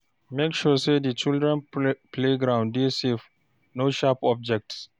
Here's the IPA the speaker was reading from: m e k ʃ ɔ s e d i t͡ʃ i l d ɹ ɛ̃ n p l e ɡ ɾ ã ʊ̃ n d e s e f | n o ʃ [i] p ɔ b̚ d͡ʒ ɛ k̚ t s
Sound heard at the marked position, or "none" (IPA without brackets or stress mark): a